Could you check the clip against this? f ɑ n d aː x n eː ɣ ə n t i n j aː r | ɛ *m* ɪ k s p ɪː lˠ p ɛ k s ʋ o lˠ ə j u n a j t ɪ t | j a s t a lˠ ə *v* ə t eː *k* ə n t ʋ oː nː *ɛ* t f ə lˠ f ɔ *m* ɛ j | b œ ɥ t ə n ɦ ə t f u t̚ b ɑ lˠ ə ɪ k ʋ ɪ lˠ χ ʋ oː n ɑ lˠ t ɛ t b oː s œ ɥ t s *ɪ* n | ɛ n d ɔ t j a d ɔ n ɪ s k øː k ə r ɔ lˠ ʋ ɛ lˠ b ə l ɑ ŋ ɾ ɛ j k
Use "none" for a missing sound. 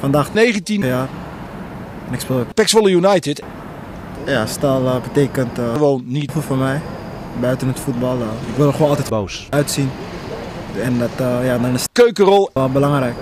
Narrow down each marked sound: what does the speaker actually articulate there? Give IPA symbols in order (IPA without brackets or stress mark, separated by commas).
n, b, k, i, m, i